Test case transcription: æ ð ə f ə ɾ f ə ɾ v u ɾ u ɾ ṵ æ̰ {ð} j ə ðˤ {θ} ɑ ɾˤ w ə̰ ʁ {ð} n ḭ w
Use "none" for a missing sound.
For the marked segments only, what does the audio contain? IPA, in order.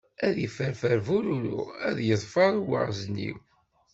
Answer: ð, f, z

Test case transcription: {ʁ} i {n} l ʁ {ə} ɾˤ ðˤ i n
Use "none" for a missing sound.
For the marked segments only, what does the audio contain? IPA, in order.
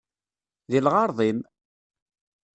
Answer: ð, none, ɑ

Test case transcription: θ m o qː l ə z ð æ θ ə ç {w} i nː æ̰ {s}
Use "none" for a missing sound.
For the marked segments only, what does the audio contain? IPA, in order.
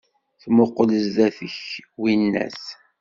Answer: w, s

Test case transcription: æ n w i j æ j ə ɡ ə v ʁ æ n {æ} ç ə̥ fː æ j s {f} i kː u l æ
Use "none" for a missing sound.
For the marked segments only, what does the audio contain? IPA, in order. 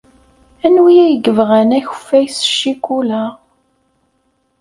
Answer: æ, ʃ

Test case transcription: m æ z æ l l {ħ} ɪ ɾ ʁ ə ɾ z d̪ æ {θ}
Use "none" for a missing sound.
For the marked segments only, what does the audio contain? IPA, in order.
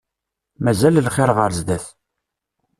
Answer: χ, θ

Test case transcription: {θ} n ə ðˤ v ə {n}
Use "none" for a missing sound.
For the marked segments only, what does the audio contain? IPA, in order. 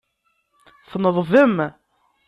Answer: θ, m

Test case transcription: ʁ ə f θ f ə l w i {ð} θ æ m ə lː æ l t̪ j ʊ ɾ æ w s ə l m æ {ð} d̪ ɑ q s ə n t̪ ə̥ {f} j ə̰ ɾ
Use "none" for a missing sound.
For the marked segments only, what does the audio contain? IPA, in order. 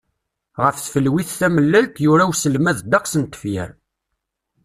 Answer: θ, ð, f

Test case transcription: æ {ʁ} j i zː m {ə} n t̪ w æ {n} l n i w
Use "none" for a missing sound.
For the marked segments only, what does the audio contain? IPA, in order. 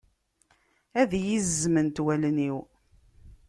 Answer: ð, ə, none

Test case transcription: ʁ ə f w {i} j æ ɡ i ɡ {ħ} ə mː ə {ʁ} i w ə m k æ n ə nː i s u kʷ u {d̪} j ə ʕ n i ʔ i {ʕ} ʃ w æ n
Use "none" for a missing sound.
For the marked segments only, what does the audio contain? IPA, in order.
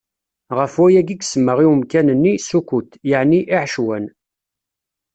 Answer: æ, s, ʁ, t̪, ʕ

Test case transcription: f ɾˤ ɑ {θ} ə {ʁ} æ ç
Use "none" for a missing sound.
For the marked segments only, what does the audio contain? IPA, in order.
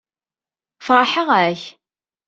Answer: ħ, ʁ

